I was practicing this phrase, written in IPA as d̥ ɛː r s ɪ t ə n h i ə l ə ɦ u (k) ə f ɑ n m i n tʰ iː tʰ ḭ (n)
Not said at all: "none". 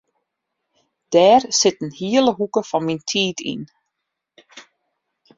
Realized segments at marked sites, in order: k, n

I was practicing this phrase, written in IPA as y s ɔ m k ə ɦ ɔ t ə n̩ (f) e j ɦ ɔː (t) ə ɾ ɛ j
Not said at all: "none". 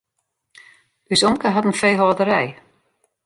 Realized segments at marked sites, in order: f, d

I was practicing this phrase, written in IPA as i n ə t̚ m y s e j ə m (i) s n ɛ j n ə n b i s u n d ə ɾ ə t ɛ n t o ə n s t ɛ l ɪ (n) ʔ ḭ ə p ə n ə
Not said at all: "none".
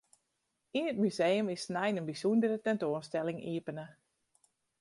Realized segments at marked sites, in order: ɪ, ŋ

